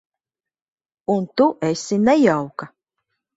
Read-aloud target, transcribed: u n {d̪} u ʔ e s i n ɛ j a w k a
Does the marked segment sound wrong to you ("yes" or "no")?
yes